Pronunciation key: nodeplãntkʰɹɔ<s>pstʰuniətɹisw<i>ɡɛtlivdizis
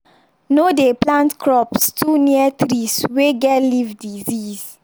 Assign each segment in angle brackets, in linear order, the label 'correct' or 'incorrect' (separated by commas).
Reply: incorrect, incorrect